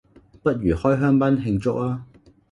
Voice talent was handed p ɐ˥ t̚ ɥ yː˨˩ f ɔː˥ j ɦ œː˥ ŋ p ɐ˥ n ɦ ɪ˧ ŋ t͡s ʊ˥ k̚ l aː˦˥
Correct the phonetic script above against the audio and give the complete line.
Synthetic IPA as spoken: p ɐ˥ t̚ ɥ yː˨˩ h ɔː˥ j ɦ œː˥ ŋ p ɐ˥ n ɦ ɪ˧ ŋ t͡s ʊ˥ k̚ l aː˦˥